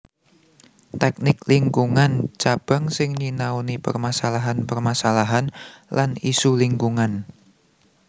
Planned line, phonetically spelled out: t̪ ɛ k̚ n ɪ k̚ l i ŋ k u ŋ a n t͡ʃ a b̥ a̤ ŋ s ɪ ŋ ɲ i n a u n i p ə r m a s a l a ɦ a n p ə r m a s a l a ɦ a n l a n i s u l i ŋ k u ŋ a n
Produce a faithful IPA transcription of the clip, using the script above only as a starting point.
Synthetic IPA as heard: t̪ ɛ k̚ n ɪ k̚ l i ŋ k u ŋ a n t͡ʃ a b̥ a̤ ŋ s ɪ ŋ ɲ i n a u n i p ə r m a s a l a ɦ a n p ə r m a s a l a ɦ a n l a n i s u l i ŋ k u ŋ a n